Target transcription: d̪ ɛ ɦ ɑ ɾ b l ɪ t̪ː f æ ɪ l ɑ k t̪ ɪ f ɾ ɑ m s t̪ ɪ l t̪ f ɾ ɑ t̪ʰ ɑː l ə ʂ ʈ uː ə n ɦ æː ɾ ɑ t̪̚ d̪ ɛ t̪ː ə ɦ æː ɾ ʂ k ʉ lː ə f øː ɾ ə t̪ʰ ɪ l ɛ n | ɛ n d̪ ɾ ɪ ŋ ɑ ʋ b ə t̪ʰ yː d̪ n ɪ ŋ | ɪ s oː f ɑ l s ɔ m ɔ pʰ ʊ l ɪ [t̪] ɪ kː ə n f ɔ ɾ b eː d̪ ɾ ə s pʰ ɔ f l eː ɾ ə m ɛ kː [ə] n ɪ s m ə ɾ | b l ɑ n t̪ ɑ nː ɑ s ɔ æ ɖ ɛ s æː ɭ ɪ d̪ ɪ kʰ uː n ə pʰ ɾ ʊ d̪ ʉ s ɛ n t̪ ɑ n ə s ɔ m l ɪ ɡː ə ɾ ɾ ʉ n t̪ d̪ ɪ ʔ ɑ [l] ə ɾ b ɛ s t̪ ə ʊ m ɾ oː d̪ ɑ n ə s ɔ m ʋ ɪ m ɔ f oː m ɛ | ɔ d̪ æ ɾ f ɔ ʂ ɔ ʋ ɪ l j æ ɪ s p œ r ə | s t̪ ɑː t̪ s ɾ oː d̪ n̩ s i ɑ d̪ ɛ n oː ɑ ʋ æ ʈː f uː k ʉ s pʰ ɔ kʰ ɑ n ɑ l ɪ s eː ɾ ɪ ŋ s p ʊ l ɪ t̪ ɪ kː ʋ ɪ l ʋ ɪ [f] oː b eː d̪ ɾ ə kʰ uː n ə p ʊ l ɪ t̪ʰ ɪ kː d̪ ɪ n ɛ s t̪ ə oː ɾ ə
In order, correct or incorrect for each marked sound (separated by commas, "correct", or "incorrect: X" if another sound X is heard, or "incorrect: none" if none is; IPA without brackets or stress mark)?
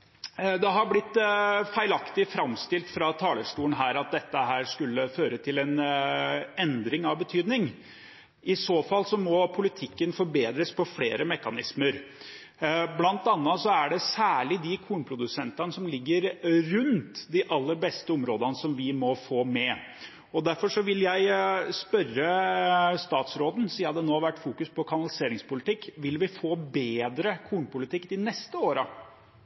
incorrect: t̪ʰ, incorrect: ɑ, incorrect: lː, correct